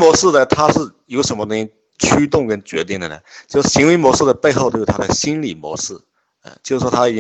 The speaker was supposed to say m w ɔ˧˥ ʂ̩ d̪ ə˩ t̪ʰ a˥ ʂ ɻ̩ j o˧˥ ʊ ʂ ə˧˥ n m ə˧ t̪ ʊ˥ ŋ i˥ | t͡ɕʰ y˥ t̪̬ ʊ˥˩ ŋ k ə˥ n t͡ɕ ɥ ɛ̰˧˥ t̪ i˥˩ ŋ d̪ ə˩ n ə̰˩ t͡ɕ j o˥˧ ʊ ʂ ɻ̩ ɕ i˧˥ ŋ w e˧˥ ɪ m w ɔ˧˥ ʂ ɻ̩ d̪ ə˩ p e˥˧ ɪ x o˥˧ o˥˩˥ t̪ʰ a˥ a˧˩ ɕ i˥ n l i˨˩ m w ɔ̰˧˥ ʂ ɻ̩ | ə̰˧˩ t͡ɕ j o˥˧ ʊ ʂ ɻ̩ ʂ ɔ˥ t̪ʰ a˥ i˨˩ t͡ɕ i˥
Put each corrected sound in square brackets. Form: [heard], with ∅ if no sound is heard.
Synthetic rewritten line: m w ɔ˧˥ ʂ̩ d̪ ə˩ t̪ʰ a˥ ʂ ɻ̩ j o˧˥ ʊ ʂ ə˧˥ n m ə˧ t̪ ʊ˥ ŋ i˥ | t͡ɕʰ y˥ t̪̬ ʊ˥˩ ŋ k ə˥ n t͡ɕ ɥ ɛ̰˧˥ t̪ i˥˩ ŋ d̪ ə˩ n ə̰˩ t͡ɕ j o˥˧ ʊ ʂ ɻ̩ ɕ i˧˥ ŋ w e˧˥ ɪ m w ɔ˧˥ ʂ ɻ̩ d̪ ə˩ p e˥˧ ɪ x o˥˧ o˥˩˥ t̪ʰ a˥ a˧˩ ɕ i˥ n l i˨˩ m w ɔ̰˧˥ ʂ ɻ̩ | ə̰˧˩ t͡ɕ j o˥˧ ʊ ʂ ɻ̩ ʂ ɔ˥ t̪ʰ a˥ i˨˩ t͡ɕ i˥